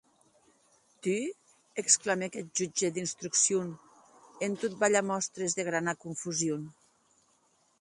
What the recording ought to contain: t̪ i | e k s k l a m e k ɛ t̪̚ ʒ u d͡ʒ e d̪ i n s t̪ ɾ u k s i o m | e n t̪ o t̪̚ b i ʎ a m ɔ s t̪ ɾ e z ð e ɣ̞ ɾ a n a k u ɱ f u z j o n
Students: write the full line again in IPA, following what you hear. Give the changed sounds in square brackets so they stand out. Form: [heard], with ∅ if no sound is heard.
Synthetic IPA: t̪ [y] | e k s k l a m e k ɛ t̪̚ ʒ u d͡ʒ e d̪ i n s t̪ ɾ u k s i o [n] | e n t̪ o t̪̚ b [a] ʎ a m ɔ s t̪ ɾ e z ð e ɣ̞ ɾ a n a k u ɱ f u z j o n